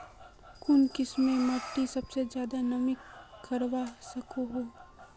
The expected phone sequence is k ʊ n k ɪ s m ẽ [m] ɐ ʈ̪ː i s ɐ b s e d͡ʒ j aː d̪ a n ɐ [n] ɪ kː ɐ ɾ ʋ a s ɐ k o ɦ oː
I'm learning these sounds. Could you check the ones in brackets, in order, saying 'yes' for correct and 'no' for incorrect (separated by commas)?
yes, no